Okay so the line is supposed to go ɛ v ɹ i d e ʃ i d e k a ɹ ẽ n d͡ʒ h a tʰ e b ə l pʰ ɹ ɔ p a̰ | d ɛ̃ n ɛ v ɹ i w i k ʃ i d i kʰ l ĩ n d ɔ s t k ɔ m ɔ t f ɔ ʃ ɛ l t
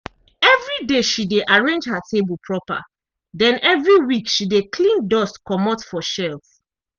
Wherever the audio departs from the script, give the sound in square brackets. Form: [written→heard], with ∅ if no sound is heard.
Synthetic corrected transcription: ɛ v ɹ i d e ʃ i d e [k→ʔ] a ɹ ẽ n d͡ʒ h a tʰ e b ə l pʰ ɹ ɔ p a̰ | d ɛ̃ n ɛ v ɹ i w i k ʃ i d [i→e] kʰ l ĩ n d ɔ s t k ɔ m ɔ t f ɔ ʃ ɛ l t